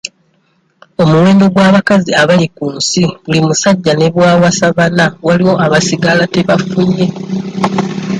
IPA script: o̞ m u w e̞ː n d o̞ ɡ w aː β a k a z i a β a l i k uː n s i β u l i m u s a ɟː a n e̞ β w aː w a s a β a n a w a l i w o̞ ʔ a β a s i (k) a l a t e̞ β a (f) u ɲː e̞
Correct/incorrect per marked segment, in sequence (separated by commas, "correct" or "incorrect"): incorrect, correct